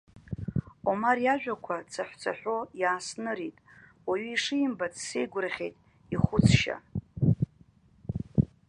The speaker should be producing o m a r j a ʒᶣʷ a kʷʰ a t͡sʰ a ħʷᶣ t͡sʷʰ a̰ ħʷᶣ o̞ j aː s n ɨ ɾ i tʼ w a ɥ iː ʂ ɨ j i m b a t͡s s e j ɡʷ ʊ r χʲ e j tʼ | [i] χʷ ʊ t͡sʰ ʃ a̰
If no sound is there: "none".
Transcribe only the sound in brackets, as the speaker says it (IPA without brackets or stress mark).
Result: i